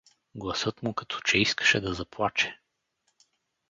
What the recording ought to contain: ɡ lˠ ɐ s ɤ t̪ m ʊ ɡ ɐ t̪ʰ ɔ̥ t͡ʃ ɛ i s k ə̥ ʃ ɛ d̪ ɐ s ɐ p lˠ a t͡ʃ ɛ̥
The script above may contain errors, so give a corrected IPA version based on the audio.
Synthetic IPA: ɡ lˠ ɐ s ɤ t̪ m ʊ k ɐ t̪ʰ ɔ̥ t͡ʃ ɛ i s k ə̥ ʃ ɛ d̪ ɐ z ɐ p lˠ a t͡ʃ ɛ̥